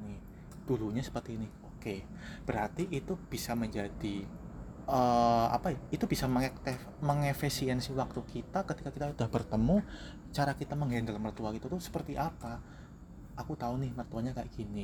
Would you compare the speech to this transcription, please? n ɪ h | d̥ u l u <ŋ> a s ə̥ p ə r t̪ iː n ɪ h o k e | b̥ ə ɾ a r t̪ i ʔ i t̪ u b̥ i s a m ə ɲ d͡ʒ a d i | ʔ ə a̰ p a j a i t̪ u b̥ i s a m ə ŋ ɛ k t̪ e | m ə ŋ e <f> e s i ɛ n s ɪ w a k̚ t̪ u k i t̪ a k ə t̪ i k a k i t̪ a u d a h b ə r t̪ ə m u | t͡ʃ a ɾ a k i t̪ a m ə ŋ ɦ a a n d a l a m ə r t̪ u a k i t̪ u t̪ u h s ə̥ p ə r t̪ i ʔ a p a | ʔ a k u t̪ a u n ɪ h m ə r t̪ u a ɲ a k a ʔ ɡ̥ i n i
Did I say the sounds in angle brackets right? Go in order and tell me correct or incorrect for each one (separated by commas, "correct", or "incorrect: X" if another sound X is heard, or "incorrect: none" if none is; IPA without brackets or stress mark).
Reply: incorrect: ɲ, correct